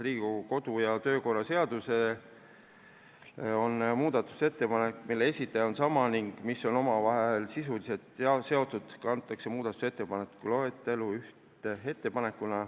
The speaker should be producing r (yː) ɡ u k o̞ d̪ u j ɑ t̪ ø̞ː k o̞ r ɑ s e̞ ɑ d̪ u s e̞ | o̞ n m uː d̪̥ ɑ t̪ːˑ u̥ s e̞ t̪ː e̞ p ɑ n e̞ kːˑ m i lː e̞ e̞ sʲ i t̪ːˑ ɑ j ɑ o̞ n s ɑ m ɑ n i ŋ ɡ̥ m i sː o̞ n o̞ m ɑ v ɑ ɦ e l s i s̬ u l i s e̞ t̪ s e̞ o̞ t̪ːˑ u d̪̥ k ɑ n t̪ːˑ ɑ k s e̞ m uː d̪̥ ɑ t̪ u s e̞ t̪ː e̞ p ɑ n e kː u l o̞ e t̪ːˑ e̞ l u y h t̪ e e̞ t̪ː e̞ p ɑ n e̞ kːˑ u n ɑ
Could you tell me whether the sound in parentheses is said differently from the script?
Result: yes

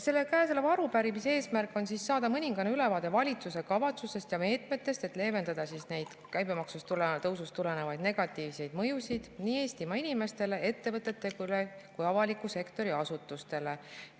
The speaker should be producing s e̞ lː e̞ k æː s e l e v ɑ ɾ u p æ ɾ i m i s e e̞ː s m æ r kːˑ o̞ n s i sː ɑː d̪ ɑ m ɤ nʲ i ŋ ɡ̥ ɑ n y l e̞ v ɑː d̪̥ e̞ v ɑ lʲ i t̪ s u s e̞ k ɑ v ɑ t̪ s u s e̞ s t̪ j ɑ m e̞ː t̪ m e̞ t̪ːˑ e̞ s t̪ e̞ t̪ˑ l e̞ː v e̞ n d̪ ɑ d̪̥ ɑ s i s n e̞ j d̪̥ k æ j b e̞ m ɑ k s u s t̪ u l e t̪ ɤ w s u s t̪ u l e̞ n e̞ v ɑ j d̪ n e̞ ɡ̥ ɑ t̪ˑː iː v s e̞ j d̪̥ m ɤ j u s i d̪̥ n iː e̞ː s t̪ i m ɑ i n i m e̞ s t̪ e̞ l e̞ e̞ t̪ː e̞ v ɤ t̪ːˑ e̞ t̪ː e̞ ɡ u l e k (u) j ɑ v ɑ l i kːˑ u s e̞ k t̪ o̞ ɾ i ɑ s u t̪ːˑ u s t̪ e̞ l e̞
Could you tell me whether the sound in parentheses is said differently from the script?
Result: no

